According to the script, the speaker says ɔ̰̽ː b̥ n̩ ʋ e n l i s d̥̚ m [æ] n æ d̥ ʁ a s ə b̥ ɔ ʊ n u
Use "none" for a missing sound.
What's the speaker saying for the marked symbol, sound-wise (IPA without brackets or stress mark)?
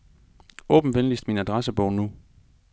i